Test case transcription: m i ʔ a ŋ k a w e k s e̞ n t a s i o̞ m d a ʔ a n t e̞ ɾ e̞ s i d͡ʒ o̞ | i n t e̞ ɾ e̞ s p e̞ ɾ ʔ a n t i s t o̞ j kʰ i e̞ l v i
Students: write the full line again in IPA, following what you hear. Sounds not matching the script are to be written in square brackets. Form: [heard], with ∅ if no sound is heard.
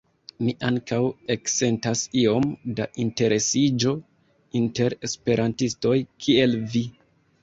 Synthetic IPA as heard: m i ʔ a ŋ k a w e k s e̞ n t a s i o̞ m d a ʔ [i] n t e̞ ɾ e̞ s i d͡ʒ o̞ | i n t e̞ ɾ e̞ s p e̞ ɾ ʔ a n t i s t o̞ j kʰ i e̞ l v i